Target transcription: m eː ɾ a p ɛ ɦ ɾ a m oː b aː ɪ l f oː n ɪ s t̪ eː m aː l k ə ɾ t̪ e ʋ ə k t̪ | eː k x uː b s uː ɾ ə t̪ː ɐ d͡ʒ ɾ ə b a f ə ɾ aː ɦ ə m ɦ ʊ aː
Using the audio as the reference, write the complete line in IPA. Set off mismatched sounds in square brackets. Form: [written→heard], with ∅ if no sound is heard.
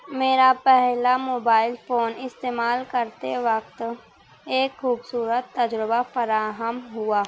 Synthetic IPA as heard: m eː ɾ a p ɛ ɦ [ɾ→l] a m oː b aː ɪ l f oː n ɪ s t̪ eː m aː l k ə ɾ t̪ e ʋ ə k t̪ | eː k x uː b s uː ɾ ə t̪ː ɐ d͡ʒ ɾ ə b a f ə ɾ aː ɦ ə m ɦ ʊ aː